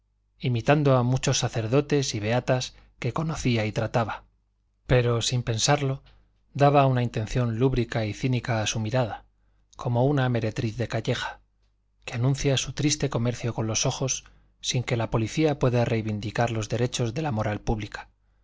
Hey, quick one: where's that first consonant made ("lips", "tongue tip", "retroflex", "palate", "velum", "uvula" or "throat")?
lips